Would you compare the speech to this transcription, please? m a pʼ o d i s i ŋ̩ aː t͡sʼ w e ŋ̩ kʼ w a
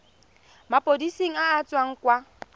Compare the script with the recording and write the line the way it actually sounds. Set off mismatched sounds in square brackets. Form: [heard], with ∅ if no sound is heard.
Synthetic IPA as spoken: m a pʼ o d i s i ŋ̩ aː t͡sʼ w [a] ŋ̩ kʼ w a